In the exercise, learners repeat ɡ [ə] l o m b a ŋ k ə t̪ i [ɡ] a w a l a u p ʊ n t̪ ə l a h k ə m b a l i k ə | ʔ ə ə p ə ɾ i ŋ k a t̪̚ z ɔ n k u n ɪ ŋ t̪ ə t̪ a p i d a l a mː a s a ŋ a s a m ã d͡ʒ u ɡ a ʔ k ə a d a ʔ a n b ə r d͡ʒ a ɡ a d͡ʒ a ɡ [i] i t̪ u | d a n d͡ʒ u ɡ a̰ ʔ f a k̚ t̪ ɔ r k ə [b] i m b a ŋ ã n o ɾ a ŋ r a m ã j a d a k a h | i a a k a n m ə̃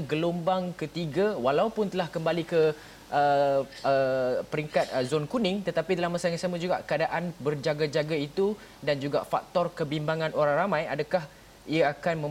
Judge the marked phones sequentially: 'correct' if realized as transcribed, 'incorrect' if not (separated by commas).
correct, correct, incorrect, correct